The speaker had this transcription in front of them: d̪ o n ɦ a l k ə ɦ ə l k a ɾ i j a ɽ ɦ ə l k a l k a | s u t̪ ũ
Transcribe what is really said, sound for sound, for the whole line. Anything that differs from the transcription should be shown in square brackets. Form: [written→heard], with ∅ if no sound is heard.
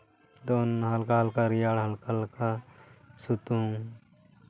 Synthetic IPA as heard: d̪ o n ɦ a l k [ə→a] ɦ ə l k a ɾ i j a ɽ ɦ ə l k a l k a | s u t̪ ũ